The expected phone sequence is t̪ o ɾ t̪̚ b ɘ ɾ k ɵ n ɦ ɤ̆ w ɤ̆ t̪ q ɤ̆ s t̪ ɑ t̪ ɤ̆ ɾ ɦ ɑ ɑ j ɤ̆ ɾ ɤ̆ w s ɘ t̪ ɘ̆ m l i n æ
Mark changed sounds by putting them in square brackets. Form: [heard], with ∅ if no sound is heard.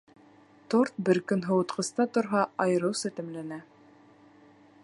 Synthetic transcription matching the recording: t̪ o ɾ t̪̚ b ɘ ɾ k ɵ n ɦ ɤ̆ w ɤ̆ t̪ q ɤ̆ s t̪ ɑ t̪ [ŏ] ɾ ɦ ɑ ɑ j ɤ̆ ɾ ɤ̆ w s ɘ t̪ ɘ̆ m l [æ] n æ